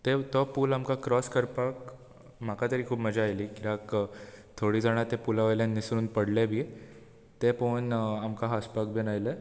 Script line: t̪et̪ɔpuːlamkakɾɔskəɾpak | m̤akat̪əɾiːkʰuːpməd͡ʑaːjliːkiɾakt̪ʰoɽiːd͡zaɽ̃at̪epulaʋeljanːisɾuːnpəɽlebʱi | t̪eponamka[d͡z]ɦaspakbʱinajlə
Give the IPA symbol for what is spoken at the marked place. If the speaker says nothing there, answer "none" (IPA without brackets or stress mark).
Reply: none